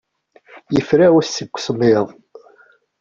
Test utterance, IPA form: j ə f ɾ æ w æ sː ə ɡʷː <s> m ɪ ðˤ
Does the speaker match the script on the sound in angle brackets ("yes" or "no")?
yes